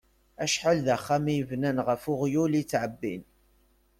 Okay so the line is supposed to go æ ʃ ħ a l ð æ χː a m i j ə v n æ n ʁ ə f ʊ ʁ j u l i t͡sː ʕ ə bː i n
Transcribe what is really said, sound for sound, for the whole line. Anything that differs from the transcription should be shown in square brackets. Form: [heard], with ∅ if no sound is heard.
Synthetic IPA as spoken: æ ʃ ħ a l ð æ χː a m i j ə v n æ n ʁ ə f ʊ ʁ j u l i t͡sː ʕ ə bː i n